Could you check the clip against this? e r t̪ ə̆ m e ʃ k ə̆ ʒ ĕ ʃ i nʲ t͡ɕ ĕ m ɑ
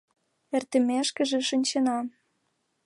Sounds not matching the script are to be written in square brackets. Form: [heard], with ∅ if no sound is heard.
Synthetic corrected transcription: e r t̪ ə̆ m e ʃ k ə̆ ʒ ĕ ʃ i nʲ t͡ɕ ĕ [n] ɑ

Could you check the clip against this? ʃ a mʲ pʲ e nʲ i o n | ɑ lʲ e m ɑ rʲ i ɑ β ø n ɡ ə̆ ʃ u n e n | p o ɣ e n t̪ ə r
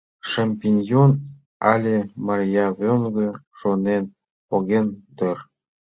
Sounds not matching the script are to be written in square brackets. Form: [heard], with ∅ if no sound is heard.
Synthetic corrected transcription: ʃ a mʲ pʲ [i] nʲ [j] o n | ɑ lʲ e m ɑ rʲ [j] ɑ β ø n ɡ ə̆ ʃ [o] n e n | p o ɣ e n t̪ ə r

